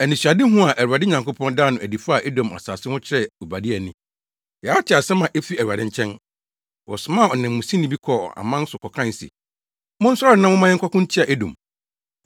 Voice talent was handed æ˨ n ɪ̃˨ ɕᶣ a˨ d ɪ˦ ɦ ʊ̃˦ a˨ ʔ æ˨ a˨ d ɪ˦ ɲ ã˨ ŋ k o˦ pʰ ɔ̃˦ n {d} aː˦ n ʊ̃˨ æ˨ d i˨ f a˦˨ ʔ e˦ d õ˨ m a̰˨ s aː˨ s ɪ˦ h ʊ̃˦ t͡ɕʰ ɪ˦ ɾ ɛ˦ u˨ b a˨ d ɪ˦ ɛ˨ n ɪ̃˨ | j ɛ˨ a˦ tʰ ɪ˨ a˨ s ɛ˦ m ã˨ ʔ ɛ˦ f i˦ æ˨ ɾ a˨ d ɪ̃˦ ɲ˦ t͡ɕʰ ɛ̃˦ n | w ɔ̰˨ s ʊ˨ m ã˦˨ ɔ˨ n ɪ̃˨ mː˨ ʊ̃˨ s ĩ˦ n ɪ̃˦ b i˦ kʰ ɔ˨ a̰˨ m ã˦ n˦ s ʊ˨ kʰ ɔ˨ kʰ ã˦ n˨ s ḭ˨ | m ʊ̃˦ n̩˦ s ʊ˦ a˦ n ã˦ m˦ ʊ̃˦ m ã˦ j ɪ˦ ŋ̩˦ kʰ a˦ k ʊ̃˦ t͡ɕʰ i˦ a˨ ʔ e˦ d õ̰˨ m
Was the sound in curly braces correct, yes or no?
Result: yes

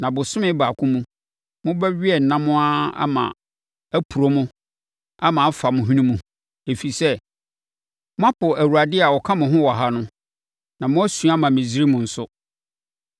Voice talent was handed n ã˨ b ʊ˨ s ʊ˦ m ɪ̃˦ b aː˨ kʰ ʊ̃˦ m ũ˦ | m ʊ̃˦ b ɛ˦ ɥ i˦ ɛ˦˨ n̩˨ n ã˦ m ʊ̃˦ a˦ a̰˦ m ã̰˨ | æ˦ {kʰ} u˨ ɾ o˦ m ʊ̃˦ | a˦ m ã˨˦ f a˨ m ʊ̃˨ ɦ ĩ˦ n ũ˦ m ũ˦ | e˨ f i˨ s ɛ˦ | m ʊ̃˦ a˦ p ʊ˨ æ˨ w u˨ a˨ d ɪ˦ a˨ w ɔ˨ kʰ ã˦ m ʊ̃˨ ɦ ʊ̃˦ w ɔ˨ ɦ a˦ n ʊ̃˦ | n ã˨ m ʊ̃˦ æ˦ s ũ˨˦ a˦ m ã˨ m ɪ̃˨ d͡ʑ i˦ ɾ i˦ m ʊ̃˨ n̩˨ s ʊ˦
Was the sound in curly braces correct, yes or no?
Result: no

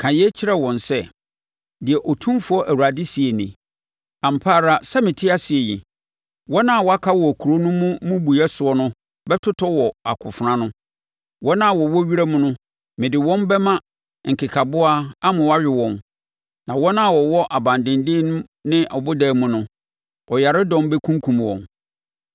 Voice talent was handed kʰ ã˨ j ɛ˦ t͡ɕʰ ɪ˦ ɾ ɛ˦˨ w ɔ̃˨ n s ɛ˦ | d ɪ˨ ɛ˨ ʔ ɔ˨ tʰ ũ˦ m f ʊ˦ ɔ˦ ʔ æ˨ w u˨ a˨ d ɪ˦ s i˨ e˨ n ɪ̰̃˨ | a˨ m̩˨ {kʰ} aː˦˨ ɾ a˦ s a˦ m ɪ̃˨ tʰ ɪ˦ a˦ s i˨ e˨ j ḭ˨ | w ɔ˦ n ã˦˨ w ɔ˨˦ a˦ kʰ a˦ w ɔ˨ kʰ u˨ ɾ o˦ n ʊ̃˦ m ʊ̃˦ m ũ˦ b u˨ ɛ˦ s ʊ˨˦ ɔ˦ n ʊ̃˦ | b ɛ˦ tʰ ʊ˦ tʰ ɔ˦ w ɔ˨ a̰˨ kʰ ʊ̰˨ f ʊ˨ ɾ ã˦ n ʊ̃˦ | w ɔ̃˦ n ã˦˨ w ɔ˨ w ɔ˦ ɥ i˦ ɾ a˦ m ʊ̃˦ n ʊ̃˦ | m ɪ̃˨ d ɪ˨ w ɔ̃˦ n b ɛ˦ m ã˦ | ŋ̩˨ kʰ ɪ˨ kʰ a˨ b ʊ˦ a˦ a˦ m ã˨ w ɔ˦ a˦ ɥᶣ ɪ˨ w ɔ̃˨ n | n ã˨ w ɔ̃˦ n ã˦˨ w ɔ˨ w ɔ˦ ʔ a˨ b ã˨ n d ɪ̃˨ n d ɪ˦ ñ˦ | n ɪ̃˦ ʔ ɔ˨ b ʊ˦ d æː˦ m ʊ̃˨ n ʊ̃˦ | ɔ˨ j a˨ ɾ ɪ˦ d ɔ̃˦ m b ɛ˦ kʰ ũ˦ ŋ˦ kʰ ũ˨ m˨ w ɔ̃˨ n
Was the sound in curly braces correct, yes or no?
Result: no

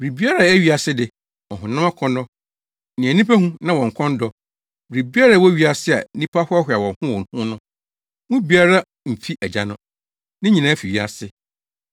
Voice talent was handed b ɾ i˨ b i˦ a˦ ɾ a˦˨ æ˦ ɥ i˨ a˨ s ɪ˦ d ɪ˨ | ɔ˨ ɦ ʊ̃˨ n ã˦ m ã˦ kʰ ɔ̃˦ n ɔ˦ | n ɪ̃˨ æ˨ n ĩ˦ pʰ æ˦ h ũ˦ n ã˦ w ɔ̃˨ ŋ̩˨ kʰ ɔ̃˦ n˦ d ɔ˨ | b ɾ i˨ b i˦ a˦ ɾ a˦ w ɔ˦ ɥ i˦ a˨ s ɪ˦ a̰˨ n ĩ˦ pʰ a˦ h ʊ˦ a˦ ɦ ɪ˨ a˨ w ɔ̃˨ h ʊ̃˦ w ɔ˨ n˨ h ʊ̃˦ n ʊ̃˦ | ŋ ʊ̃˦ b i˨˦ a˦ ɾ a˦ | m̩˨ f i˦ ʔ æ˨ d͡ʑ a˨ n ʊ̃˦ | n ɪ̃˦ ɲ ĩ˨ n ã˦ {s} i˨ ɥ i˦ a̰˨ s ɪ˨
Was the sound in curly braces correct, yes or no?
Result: no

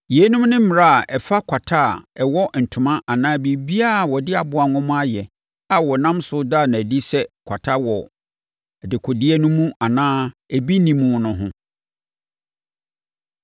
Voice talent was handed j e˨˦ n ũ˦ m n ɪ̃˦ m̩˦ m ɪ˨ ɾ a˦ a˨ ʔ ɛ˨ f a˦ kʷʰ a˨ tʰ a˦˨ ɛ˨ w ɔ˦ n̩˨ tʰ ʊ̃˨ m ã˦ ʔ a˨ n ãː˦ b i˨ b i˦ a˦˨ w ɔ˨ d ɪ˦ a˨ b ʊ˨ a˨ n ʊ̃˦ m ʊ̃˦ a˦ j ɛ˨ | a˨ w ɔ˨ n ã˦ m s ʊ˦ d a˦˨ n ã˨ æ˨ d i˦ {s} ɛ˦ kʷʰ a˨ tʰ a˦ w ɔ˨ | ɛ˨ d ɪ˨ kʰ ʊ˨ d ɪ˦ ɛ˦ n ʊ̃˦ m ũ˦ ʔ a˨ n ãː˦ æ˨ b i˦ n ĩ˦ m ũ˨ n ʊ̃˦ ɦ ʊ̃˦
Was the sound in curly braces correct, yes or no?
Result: yes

